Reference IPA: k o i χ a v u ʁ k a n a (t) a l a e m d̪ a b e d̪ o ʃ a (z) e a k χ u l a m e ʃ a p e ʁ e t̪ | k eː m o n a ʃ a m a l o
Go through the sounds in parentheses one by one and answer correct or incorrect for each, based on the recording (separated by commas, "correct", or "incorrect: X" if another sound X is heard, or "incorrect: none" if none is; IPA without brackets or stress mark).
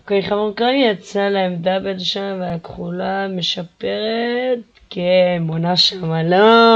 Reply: incorrect: t͡s, incorrect: v